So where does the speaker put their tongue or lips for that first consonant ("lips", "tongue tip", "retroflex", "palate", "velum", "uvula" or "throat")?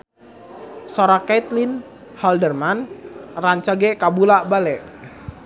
tongue tip